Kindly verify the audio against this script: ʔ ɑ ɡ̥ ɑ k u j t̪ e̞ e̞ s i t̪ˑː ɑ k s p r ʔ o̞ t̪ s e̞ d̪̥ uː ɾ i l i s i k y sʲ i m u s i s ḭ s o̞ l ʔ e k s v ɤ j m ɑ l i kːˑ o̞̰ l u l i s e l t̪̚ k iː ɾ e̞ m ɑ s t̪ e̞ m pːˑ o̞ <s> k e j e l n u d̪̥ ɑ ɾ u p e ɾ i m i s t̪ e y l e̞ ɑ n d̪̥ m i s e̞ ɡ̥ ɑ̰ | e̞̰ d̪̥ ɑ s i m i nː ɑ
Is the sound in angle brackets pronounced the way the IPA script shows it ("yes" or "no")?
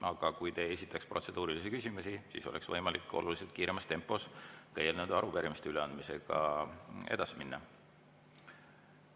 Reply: yes